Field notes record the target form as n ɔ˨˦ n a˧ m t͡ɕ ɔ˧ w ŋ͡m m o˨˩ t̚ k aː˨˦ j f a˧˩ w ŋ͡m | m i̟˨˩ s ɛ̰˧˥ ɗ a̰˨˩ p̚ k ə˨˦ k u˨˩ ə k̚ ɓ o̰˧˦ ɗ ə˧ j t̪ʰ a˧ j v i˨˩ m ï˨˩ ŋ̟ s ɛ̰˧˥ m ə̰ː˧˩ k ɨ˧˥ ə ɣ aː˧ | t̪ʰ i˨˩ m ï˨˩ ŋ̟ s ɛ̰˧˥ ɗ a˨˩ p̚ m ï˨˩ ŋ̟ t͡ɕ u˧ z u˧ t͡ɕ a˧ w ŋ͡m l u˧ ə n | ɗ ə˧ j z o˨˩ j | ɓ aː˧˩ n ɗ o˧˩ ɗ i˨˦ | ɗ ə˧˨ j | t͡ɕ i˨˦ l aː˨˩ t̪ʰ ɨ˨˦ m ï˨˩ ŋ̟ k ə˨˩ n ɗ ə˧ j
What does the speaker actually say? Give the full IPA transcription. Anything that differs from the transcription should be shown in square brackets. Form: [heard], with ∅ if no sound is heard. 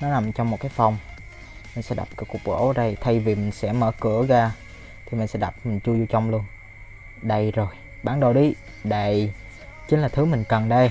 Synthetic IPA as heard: n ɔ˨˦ n [a˨˩] m t͡ɕ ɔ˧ w ŋ͡m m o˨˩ t̚ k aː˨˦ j f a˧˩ w ŋ͡m | m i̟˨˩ s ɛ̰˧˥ ɗ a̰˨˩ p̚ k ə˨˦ k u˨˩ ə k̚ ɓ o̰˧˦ ɗ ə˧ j t̪ʰ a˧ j v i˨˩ m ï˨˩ ŋ̟ s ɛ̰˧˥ m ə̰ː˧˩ k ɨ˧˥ ə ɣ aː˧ | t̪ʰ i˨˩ m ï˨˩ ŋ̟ s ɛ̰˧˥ ɗ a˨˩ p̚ m ï˨˩ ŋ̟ t͡ɕ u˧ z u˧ t͡ɕ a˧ w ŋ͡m l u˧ ə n | ɗ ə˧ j z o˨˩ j | ɓ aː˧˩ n ɗ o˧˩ ɗ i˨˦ | ɗ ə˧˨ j | t͡ɕ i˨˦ l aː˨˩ t̪ʰ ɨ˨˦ m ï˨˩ ŋ̟ k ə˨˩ n ɗ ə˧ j